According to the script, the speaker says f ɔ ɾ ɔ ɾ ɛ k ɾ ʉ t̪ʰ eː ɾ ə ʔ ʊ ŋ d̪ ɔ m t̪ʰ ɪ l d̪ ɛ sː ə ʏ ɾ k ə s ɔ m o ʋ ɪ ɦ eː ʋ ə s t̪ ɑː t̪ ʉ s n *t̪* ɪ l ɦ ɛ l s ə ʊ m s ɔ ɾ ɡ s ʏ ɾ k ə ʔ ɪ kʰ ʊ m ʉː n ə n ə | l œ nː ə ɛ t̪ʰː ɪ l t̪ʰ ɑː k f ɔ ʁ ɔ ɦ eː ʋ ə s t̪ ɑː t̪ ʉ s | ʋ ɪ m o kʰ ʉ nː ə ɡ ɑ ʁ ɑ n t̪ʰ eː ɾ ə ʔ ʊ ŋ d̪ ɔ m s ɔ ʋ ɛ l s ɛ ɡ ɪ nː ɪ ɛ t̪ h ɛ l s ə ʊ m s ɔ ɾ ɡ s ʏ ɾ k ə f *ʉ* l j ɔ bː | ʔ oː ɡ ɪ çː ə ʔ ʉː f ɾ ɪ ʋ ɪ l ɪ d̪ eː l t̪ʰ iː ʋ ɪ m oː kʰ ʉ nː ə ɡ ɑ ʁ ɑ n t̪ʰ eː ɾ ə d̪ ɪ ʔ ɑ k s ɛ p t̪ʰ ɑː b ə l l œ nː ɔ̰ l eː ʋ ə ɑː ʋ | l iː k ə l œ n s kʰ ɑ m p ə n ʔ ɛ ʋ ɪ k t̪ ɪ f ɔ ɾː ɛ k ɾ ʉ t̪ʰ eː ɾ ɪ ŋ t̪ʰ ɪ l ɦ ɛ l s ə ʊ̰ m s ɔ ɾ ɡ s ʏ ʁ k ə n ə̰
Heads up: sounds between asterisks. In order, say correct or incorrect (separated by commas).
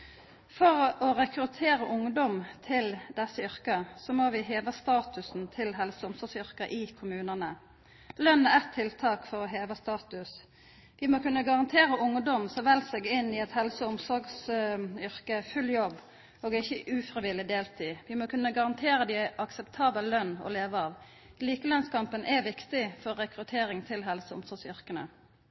incorrect, correct